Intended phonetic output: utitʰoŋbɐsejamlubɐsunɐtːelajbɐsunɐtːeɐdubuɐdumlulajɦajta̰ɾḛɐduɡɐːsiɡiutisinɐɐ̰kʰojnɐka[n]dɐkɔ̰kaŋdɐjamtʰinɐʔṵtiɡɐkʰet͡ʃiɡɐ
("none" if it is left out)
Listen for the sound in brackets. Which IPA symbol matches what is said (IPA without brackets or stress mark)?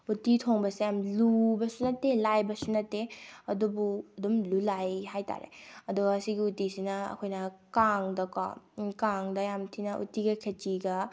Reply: ŋ